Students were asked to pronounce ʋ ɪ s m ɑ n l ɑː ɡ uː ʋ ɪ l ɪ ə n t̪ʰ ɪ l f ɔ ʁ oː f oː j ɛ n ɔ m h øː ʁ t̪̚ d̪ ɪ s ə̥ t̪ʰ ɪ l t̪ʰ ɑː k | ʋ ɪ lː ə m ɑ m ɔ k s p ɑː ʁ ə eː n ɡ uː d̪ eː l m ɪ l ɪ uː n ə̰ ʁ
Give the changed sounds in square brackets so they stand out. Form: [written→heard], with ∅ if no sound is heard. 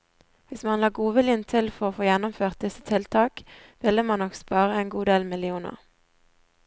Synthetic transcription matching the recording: ʋ ɪ s m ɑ n l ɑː ɡ uː ʋ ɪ l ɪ ə n t̪ʰ ɪ l f ɔ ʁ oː f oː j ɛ n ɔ m [h→f] øː ʁ t̪̚ d̪ ɪ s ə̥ t̪ʰ ɪ l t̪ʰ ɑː k | ʋ ɪ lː ə m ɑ [m→n] ɔ k s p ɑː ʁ ə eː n ɡ uː d̪ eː l m ɪ l ɪ uː n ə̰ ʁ